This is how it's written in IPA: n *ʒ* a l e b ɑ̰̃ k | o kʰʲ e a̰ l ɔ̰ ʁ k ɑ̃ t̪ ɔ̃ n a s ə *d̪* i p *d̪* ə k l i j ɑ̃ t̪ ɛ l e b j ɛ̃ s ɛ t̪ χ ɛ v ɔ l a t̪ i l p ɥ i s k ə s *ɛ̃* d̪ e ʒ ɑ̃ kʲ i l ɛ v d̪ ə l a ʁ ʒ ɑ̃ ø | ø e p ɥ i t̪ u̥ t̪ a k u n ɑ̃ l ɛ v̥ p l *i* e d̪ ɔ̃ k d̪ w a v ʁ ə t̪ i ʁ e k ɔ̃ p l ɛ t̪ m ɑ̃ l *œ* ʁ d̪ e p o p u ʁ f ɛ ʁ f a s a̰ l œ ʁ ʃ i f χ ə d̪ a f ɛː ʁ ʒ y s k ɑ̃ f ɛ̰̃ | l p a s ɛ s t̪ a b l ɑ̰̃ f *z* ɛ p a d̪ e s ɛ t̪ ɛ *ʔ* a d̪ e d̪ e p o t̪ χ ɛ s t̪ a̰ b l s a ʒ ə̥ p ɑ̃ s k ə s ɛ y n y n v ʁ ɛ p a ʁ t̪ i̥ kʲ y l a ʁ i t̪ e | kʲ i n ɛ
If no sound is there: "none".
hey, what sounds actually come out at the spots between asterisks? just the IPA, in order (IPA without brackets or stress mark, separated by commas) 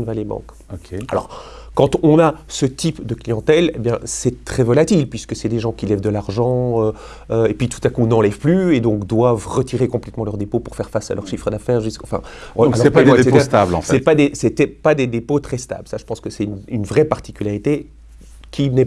v, t̪, d̪, ɛ, y, œ, s, p